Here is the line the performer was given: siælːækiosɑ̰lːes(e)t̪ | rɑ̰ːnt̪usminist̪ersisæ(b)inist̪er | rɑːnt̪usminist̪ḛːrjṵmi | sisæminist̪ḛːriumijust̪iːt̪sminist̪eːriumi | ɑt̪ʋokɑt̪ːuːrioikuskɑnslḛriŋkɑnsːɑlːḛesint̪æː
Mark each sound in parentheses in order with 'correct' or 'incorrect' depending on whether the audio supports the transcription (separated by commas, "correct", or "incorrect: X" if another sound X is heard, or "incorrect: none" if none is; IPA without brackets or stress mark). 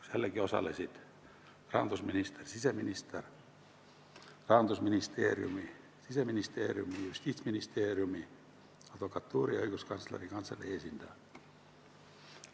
incorrect: i, incorrect: m